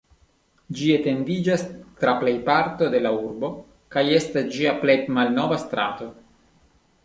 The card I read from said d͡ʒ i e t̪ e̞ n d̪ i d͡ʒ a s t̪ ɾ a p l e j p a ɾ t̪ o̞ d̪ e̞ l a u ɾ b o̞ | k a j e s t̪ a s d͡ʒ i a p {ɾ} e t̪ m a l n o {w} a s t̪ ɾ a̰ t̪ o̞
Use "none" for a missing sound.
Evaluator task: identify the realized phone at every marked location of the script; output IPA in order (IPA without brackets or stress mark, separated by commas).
l, v